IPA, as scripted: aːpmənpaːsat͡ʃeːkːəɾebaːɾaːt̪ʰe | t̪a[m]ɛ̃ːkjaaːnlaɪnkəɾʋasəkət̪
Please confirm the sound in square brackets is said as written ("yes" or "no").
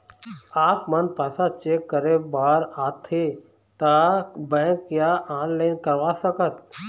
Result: no